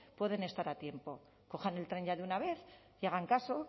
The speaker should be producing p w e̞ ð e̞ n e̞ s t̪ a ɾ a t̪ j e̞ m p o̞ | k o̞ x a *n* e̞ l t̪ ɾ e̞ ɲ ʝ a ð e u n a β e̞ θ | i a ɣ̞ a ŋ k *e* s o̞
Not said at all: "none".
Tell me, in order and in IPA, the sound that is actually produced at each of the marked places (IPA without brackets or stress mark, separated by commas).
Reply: n, a